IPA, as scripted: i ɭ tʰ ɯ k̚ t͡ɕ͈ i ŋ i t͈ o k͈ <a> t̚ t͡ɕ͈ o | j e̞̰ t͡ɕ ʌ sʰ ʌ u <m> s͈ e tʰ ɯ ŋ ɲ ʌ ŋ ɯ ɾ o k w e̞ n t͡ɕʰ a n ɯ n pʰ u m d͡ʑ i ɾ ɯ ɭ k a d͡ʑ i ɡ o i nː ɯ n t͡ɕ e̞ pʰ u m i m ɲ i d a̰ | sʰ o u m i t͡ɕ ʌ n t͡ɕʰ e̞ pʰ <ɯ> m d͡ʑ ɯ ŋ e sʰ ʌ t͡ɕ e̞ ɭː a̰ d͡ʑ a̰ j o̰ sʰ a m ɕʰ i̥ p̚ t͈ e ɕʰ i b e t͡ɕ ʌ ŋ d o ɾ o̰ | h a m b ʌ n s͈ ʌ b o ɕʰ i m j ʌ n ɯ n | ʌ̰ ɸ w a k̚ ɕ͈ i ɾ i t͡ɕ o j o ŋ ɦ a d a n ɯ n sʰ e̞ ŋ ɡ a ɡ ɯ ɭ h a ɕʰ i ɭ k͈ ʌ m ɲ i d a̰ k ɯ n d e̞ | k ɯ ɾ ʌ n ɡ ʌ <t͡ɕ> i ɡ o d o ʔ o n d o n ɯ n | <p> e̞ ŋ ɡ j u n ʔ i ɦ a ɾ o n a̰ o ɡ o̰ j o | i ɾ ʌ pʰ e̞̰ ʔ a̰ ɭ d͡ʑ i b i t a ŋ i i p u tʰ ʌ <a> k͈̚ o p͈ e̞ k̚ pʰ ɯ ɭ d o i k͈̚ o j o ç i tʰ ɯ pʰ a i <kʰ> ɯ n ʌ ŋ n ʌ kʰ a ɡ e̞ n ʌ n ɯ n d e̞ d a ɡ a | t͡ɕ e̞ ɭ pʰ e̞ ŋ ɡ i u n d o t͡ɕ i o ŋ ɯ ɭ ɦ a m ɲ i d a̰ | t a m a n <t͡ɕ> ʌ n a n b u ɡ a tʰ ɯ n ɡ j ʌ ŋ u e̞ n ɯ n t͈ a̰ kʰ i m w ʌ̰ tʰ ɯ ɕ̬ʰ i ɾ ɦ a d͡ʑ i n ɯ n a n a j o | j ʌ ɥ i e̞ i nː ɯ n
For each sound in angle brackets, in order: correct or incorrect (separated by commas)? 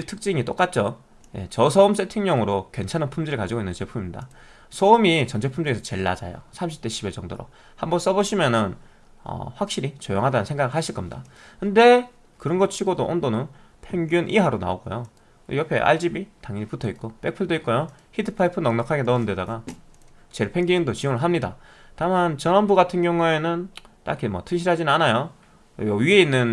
correct, correct, incorrect, incorrect, incorrect, incorrect, incorrect, correct